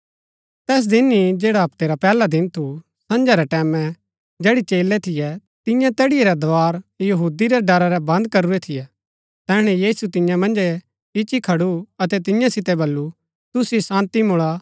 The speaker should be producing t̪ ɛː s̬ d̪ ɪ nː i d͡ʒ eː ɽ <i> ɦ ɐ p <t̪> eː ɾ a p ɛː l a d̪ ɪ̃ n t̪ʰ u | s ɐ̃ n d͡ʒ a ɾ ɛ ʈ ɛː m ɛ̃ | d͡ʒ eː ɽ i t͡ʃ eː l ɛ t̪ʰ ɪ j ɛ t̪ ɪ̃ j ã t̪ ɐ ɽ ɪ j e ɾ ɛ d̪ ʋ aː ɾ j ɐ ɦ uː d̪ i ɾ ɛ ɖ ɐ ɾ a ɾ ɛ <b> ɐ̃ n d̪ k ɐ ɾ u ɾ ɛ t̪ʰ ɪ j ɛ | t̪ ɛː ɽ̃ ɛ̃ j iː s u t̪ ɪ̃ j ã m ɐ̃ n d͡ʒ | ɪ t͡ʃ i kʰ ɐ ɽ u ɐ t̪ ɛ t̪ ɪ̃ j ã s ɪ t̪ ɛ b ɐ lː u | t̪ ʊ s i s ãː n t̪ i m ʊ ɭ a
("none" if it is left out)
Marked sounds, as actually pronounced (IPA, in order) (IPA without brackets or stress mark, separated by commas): a, t̪, b